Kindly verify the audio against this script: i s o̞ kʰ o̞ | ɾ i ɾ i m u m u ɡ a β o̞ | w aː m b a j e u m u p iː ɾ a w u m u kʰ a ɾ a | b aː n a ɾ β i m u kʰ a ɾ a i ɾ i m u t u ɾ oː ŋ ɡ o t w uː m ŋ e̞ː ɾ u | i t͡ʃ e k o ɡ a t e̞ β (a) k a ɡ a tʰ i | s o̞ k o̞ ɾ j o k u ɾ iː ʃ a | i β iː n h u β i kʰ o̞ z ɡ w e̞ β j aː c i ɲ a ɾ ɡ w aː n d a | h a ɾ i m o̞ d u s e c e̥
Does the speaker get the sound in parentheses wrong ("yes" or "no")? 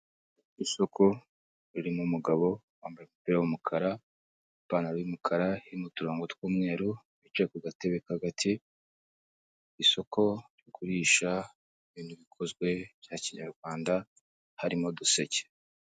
yes